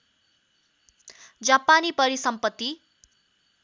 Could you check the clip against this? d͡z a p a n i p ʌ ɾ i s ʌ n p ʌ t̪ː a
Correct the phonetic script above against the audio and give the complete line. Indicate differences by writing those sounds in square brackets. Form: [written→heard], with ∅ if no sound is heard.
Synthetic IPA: d͡z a p a n i p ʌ ɾ i s ʌ [n→m] p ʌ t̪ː [a→i]